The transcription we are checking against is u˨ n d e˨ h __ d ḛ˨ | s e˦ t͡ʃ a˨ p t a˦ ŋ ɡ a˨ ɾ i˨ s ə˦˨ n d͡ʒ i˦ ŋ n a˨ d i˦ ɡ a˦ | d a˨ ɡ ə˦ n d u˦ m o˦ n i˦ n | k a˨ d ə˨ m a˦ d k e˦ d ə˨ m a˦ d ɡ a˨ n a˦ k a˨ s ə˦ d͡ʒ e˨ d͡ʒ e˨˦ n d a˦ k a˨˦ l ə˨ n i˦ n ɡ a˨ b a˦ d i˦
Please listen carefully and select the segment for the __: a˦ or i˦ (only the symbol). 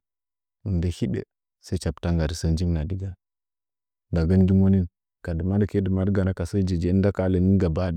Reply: i˦